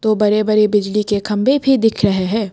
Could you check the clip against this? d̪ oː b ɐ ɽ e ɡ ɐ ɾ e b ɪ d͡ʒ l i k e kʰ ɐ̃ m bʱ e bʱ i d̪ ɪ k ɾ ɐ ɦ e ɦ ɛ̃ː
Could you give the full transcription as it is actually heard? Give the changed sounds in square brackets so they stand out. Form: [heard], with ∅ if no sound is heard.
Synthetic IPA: [t̪] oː b ɐ [ɾ] e [b] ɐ ɾ e b ɪ d͡ʒ l i k e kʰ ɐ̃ m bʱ e bʱ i d̪ ɪ [kʰ] ɾ ɐ ɦ e ɦ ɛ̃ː